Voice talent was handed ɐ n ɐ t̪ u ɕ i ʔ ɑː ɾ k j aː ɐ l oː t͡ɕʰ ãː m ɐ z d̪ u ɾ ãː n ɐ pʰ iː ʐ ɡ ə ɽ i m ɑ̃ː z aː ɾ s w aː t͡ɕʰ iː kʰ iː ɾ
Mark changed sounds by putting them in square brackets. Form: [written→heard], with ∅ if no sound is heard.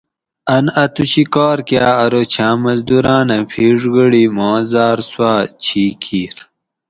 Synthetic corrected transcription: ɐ n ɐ t̪ u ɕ i [ʔ→k] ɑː ɾ k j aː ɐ [l→ɾ] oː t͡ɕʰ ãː m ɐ z d̪ u ɾ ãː n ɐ pʰ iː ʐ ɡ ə ɽ i m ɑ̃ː z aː ɾ s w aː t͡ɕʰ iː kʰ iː ɾ